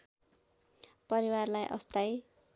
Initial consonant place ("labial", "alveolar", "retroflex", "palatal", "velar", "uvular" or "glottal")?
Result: labial